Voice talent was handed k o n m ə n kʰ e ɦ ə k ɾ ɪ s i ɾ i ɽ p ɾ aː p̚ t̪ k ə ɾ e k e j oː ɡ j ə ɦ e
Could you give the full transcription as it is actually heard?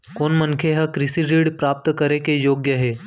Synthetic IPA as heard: k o n m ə n kʰ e ɦ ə k ɾ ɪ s i ɾ i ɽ p ɾ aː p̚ t̪ k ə ɾ e k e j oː ɡ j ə ɦ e

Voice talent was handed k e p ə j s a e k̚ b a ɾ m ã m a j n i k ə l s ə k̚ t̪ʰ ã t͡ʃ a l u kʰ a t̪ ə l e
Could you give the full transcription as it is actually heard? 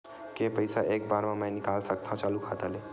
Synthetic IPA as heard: k e p ə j s a e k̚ b a ɾ m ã m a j n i k a l s ə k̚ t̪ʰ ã t͡ʃ a l u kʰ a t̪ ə l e

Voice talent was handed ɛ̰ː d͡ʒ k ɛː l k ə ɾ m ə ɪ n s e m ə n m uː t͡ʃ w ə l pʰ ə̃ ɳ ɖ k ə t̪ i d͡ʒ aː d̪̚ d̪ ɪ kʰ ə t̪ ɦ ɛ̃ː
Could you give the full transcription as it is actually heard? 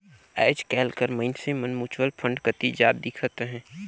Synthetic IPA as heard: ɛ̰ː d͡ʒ k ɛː l k ə ɾ m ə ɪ n s e m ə n m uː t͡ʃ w ə l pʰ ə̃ ɳ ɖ k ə t̪ i d͡ʒ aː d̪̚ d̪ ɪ kʰ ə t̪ ɦ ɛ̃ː

